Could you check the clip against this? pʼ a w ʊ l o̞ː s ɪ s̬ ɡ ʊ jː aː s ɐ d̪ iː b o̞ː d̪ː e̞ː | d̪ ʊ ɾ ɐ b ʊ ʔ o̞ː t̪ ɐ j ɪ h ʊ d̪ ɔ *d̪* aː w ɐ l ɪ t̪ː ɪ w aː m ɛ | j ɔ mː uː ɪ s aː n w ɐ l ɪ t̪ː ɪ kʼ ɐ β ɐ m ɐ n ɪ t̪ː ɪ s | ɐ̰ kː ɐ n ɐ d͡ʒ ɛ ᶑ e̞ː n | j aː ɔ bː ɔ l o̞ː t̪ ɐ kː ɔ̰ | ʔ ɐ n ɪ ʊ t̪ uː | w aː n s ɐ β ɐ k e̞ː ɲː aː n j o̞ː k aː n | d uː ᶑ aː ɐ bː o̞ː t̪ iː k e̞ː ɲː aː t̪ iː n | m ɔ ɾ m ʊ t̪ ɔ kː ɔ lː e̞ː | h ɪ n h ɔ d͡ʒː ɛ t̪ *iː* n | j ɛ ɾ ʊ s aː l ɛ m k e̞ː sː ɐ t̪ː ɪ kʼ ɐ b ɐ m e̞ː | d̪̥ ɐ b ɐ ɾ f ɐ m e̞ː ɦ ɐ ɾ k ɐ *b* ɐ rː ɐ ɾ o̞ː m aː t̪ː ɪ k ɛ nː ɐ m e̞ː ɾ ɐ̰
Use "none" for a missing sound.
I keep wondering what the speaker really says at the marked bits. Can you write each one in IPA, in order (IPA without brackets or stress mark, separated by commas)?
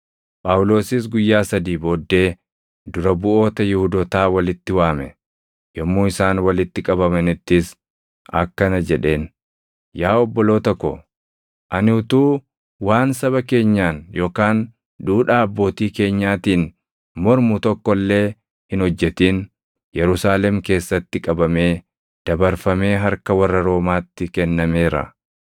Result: t̪, iː, w